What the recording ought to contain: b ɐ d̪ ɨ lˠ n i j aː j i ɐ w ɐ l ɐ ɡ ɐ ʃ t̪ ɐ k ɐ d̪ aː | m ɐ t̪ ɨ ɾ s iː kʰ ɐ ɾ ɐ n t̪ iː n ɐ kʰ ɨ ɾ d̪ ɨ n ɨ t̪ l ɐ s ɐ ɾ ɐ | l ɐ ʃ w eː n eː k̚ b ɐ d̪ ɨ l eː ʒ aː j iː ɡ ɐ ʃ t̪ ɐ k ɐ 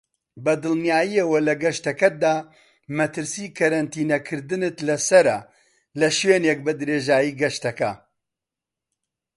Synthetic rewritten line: b ɐ d̪ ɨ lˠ n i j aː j i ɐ w ɐ l ɐ ɡ ɐ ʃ t̪ ɐ k ɐ d̪ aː | m ɐ t̪ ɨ ɾ s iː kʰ ɐ ɾ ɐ n t̪ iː n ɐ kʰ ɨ ɾ d̪ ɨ n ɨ t̪ l ɐ s ɐ ɾ ɐ | l ɐ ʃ w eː n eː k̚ b ɐ d̪ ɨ ɾ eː ʒ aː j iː ɡ ɐ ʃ t̪ ɐ k ɐ

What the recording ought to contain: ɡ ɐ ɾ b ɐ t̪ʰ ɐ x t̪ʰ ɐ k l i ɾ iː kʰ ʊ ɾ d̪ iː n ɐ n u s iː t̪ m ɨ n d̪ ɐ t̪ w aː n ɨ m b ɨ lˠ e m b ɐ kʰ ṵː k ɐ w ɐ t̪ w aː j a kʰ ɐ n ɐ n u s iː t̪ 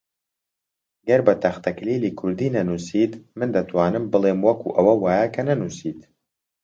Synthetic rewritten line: ɡ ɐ ɾ b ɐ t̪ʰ ɐ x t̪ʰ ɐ k l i l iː kʰ ʊ ɾ d̪ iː n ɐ n u s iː t̪ m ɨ n d̪ ɐ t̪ w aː n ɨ m b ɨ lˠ e m w ɐ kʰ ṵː ʔ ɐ w ɐ w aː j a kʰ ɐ n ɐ n u s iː t̪

